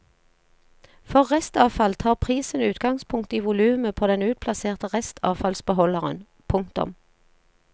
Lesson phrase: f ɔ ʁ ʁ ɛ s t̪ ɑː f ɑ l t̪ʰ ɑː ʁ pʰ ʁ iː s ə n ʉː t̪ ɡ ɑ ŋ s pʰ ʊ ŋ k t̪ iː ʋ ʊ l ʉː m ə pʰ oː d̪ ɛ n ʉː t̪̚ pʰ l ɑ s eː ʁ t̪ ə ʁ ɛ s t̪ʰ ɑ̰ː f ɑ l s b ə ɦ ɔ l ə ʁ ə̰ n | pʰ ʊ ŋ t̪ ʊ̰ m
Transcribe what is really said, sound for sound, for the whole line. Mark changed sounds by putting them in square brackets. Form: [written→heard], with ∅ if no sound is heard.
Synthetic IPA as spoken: f ɔ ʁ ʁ ɛ s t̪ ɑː f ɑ l t̪ʰ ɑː ʁ pʰ ʁ iː s ə n ʉː t̪ ɡ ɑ ŋ s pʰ ʊ ŋ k t̪ iː ʋ ʊ l ʉː m ə pʰ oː d̪ ɛ n ʉː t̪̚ pʰ l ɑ s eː ʁ t̪ ə ʁ ɛ s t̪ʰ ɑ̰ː f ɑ l s b ə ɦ ɔ l ə ʁ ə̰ n | pʰ ʊ ŋ t̪ ʊ̰ m